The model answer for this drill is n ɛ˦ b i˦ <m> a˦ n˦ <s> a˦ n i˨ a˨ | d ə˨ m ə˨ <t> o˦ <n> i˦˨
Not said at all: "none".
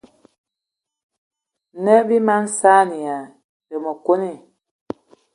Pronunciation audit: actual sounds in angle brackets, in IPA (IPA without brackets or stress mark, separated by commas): m, s, k, n